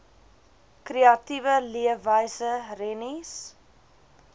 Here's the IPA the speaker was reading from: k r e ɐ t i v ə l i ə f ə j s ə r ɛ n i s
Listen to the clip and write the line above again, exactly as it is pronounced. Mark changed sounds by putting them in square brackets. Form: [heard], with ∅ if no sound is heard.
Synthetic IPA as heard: k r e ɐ t i v ə l i ə [v] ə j s ə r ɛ n i s